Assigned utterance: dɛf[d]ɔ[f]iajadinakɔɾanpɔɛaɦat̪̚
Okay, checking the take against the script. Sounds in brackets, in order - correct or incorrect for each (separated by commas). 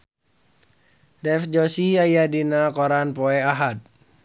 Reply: incorrect, incorrect